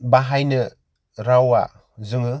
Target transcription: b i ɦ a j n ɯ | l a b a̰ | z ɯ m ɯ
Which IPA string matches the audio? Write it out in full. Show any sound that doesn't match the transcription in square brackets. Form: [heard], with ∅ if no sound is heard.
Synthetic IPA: b [a] ɦ a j n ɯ | [ɾ] a [w] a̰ | z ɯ [ŋ] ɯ